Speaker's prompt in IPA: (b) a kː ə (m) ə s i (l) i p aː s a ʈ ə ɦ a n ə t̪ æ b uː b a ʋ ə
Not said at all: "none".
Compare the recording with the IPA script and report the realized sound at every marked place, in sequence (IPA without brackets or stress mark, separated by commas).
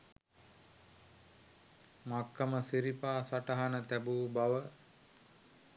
m, m, ɾ